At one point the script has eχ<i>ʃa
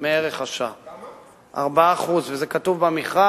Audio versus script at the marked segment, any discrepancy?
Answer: yes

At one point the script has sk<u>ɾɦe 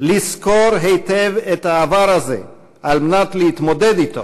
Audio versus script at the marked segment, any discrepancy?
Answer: yes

